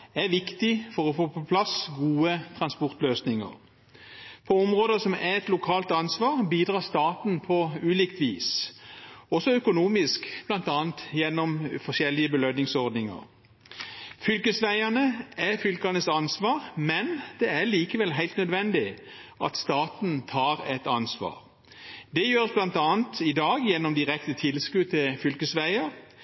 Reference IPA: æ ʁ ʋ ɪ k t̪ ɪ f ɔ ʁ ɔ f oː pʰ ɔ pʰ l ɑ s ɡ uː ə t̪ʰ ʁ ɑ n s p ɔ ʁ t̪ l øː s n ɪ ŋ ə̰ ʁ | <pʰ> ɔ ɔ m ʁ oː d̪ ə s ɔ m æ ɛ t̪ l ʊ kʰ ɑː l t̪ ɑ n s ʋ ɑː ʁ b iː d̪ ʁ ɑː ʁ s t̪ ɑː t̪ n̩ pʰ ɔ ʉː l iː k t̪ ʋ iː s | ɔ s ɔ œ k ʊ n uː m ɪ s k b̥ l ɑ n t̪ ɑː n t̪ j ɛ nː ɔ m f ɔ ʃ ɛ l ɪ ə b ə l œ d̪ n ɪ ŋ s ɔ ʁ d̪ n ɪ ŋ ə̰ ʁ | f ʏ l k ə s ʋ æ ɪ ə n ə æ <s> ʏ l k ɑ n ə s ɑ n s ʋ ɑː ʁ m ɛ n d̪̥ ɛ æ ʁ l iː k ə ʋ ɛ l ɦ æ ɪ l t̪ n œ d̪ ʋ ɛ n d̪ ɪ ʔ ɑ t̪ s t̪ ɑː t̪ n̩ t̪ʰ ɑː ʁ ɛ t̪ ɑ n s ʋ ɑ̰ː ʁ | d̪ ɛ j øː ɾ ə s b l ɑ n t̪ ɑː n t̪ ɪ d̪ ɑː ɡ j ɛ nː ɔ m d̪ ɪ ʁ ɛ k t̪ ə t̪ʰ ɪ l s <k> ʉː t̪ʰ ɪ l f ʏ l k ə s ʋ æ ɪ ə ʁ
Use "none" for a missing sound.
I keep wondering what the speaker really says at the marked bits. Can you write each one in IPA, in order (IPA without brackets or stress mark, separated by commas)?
pʰ, f, k